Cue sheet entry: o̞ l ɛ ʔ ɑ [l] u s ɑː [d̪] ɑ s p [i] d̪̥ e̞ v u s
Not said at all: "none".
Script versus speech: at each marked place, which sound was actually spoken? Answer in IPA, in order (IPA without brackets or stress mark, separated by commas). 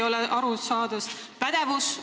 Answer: ɾ, d̪, æ